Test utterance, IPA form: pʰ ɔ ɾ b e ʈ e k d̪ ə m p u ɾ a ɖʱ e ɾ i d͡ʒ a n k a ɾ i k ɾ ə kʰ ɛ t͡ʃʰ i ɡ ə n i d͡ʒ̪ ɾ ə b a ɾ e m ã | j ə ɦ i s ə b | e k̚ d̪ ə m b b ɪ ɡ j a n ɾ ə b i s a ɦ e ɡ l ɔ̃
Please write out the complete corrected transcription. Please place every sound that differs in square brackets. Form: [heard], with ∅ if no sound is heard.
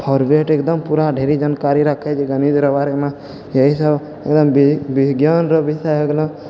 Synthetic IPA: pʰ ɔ ɾ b e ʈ e k d̪ ə m p u ɾ a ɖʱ e ɾ i d͡ʒ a n k a ɾ i [∅] ɾ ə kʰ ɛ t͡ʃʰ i ɡ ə n i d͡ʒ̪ ɾ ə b a ɾ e m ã | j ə ɦ i s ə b | e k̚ d̪ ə m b b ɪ ɡ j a n ɾ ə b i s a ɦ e ɡ l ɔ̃